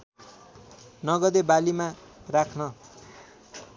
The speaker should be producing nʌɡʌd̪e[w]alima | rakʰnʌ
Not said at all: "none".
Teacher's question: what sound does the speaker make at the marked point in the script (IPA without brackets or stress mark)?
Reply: b